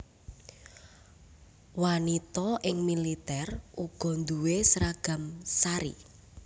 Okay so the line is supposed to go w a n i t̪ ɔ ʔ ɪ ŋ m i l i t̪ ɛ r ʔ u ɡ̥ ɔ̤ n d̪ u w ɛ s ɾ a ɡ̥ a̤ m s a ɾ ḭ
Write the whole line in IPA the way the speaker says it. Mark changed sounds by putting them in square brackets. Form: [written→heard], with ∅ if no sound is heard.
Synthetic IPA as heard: w a n i t̪ ɔ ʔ ɪ ŋ m i l i t̪ ɛ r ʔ u ɡ̥ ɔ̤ n d̪ u w [ɛ→e] s ɾ a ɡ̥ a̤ m s a ɾ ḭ